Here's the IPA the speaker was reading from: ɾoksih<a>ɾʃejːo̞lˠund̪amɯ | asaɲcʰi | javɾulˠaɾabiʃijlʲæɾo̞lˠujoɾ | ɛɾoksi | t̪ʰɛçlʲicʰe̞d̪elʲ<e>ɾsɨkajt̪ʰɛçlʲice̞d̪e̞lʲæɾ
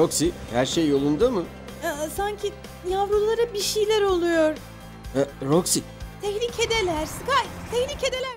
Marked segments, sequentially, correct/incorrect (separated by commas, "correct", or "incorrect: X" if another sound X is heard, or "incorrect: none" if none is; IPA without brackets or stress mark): incorrect: æ, incorrect: æ